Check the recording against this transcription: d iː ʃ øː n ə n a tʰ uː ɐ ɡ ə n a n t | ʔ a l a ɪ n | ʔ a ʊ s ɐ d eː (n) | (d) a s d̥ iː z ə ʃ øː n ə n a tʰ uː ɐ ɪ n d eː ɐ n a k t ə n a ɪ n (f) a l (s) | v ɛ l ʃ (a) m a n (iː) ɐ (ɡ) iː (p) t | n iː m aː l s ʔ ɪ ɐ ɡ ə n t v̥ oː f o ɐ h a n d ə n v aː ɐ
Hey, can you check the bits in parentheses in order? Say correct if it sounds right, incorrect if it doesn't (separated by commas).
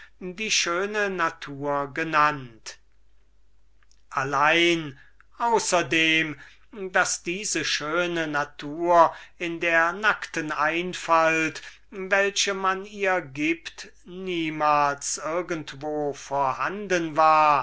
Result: incorrect, correct, correct, incorrect, incorrect, correct, correct, correct